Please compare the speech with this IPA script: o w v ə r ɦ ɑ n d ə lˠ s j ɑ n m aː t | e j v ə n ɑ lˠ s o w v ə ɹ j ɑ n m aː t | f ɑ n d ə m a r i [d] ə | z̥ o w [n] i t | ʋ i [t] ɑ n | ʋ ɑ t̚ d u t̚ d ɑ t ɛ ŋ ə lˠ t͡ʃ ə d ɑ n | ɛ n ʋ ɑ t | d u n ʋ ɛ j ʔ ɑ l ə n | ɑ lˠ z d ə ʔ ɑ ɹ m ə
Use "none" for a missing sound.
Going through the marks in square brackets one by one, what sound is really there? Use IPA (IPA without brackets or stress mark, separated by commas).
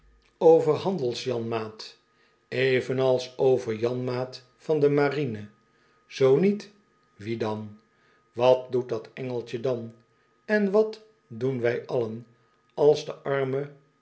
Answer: n, n, d